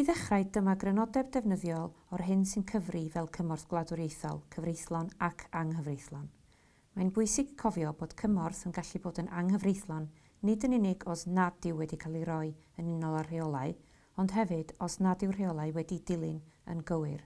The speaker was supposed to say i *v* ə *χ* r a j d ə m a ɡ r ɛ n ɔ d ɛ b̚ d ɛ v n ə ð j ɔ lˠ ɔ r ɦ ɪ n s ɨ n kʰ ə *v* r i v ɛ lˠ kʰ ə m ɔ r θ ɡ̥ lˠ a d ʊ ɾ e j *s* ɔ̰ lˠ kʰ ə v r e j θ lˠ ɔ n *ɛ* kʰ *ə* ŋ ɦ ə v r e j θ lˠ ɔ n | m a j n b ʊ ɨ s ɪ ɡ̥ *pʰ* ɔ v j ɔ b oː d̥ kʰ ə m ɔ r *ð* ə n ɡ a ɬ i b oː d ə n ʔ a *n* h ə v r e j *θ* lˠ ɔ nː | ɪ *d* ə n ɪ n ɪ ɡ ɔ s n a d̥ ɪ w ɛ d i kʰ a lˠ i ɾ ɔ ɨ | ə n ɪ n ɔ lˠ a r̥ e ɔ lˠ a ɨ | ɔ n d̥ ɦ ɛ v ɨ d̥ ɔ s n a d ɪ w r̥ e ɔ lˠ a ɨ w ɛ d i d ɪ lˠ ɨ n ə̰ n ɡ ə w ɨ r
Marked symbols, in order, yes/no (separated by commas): no, yes, yes, no, no, no, no, no, no, yes, yes